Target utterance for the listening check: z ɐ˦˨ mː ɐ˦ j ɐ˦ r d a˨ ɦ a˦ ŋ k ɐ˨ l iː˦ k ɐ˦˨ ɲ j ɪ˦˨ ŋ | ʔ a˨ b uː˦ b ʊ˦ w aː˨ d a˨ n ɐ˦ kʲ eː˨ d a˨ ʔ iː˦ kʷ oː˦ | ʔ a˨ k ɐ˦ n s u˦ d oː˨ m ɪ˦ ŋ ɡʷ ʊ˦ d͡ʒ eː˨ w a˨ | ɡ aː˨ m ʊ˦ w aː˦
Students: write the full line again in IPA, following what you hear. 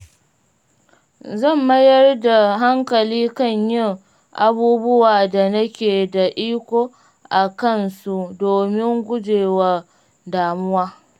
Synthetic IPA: z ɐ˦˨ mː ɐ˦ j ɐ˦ r d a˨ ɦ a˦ ŋ k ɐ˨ l iː˦ k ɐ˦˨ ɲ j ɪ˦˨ ŋ | ʔ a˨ b uː˦ b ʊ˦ w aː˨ d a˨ n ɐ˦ kʲ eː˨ d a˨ ʔ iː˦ kʷ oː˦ | ʔ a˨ k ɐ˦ n s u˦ d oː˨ m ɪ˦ ŋ ɡʷ ʊ˦ d͡ʒ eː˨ w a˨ | d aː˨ m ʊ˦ w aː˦